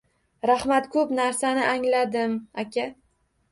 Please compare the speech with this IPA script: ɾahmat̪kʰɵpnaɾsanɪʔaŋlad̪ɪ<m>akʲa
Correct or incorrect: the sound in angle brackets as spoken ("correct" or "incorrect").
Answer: correct